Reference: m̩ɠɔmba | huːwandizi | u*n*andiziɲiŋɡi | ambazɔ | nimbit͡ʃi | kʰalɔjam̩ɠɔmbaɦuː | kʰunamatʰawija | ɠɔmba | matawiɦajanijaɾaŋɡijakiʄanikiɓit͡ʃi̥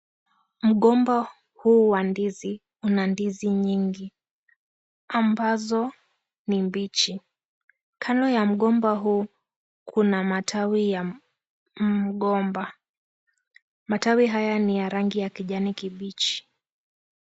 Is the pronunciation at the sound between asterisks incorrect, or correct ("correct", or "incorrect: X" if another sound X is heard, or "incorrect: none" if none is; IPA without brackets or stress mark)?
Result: correct